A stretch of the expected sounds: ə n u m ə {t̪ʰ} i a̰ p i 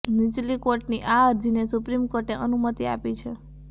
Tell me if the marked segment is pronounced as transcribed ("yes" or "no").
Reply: no